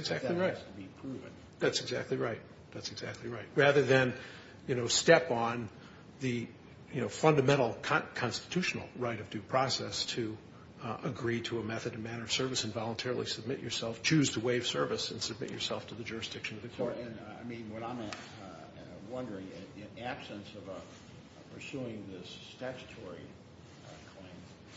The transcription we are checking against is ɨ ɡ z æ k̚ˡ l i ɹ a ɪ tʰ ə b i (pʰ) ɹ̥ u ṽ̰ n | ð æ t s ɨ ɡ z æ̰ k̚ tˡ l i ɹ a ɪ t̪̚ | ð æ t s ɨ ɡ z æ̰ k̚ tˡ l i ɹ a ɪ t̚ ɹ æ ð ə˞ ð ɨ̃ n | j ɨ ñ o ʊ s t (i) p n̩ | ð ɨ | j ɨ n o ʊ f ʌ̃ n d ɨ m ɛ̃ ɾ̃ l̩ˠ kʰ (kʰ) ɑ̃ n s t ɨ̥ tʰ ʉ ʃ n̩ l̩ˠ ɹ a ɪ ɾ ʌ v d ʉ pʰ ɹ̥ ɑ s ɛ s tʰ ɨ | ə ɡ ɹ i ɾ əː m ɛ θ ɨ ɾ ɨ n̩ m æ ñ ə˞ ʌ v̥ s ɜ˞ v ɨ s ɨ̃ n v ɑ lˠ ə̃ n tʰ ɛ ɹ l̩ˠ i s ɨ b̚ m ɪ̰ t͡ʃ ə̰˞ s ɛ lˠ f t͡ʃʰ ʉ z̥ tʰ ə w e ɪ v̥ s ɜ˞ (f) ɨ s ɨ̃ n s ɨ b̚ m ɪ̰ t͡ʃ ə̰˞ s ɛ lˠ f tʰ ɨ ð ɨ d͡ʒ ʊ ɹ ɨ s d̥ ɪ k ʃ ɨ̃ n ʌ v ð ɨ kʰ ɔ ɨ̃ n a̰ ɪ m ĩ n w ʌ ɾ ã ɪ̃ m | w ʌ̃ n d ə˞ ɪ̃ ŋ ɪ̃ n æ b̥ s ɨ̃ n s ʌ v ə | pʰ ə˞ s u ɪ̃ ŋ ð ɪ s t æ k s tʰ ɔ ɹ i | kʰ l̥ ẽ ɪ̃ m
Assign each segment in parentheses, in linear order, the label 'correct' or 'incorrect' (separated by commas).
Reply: correct, incorrect, correct, incorrect